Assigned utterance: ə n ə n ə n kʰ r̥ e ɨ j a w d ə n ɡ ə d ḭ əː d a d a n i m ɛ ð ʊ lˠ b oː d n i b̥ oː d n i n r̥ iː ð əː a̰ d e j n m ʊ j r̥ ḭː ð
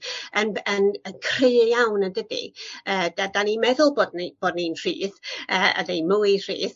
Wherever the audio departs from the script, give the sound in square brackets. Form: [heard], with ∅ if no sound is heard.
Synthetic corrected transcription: ə n ə n ə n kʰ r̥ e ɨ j a w [n] ə n [d] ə d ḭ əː d a d a n i m ɛ ð ʊ lˠ b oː d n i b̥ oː d n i n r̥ iː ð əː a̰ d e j n m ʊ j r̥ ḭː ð